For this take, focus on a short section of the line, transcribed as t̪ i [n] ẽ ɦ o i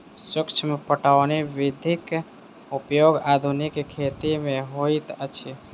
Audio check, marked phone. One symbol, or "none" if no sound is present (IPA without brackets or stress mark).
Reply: m